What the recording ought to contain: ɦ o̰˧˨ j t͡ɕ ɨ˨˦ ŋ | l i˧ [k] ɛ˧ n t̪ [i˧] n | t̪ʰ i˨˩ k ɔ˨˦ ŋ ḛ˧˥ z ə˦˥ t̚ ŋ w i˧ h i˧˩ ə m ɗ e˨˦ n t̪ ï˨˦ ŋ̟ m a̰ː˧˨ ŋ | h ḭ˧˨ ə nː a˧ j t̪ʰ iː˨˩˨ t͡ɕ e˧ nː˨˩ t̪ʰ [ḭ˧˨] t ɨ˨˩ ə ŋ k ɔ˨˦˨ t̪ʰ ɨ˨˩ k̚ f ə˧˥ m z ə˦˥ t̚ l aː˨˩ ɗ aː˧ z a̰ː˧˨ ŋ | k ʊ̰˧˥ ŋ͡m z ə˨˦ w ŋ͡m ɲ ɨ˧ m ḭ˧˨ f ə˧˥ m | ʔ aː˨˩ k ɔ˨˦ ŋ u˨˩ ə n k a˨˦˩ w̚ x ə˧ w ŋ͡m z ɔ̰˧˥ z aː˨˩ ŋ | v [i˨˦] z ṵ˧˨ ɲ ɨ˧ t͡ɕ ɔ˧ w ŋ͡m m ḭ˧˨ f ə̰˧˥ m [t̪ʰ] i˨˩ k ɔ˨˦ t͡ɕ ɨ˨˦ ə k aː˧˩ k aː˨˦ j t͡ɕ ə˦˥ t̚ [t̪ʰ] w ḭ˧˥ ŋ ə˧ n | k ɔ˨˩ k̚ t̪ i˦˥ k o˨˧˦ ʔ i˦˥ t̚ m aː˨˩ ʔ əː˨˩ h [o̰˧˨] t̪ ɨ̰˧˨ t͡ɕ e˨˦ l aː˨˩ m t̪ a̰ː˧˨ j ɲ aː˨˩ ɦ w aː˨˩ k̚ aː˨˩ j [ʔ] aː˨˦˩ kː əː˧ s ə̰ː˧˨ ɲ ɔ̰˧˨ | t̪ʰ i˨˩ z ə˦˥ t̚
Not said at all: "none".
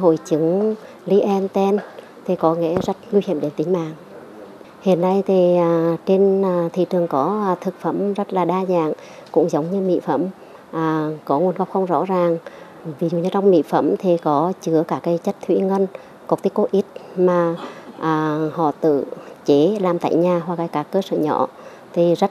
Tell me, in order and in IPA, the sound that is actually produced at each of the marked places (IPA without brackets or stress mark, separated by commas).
ʔ, ɛ˧, ḭ˧˨, i˨˩, t̪ʰ, t̪ʰ, ɔ̰˧˨, k